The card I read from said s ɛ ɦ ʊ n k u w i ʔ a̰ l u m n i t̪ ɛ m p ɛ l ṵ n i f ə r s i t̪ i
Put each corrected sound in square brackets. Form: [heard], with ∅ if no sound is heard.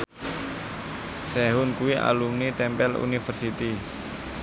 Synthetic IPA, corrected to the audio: s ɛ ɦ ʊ n k u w i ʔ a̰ l u m n i t̪ ɛ m p ɛ l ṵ n i f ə r s i t̪ i